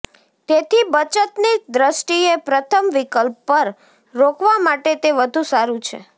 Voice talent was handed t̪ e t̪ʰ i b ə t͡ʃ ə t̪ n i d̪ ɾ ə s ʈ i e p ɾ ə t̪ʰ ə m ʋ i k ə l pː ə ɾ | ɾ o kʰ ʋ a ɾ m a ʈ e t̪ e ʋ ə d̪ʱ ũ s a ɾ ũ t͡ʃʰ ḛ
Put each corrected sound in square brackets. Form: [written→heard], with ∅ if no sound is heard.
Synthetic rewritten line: t̪ e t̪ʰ i b ə t͡ʃ ə t̪ n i d̪ ɾ ə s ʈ i e p ɾ ə t̪ʰ ə m ʋ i k ə l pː ə ɾ | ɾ o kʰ ʋ a [ɾ→∅] m a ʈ e t̪ e ʋ ə d̪ʱ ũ s a ɾ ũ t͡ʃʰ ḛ

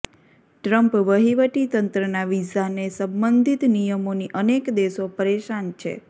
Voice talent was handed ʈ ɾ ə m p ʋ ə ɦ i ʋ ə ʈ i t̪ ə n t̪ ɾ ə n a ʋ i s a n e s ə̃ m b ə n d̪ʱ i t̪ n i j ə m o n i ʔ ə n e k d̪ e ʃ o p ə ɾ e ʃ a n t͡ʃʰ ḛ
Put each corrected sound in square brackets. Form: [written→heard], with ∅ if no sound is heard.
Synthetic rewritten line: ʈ ɾ ə m p ʋ ə ɦ i ʋ ə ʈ i t̪ ə n t̪ ɾ ə n a ʋ i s a n e s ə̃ m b ə n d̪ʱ i t̪ n i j ə m o n i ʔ ə n e k d̪ e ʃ o p ə ɾ e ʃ a n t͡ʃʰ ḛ

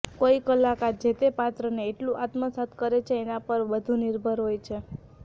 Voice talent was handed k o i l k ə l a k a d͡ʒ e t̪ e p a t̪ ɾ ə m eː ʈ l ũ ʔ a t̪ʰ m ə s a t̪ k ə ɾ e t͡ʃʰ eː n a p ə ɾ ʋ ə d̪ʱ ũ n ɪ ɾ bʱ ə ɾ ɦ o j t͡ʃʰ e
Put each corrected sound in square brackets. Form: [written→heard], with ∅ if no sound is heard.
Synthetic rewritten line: k o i [l→∅] k ə l a k a d͡ʒ e t̪ e p a t̪ ɾ ə [m→n] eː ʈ l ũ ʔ a [t̪ʰ→t̪] m ə s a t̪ k ə ɾ e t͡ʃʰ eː n a p ə ɾ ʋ ə d̪ʱ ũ n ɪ ɾ bʱ ə ɾ ɦ o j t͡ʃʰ e

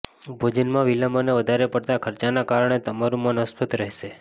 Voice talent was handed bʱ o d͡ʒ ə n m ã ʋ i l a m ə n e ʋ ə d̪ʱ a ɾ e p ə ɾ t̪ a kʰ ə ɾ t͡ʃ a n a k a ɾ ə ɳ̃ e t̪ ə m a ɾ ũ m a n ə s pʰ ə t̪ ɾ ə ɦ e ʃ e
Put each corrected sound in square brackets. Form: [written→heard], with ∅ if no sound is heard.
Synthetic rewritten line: bʱ o d͡ʒ ə n m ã ʋ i l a m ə n e ʋ ə d̪ʱ a ɾ e p ə [ɾ→ɽ] t̪ a kʰ ə ɾ t͡ʃ a n a k a ɾ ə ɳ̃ e t̪ ə m a ɾ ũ m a n ə s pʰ ə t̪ ɾ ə ɦ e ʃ e

